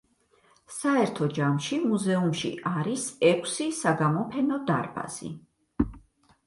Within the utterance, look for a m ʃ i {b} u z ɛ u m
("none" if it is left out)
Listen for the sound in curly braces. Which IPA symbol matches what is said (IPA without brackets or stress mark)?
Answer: m